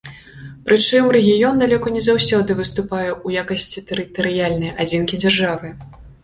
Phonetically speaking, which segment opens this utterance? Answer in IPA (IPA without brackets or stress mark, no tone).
p